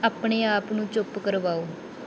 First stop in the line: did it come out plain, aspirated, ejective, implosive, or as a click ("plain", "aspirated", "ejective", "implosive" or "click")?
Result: plain